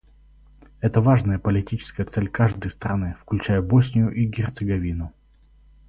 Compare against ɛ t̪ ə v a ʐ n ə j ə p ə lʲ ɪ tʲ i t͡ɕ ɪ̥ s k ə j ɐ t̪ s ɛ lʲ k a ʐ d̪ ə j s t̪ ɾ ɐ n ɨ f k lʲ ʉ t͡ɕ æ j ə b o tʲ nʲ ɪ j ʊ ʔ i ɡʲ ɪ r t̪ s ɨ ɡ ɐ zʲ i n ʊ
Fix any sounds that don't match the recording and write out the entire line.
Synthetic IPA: ɛ t̪ ə v a ʐ n ə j ə p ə lʲ ɪ tʲ i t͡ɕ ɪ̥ s k ə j ə t̪ s ɛ lʲ k a ʐ d̪ ə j s t̪ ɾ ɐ n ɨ f k lʲ ʉ t͡ɕ æ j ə b o sʲ nʲ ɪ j ʊ ʔ i ɡʲ ɪ r t̪ s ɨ ɡ ɐ vʲ i n ʊ